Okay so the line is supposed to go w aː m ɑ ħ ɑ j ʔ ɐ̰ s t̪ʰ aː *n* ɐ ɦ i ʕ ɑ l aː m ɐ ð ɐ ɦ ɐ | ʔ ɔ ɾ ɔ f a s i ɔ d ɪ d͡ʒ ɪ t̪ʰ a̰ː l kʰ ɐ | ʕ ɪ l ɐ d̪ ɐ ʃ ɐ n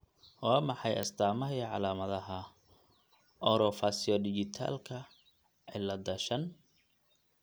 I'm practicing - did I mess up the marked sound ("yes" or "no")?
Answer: yes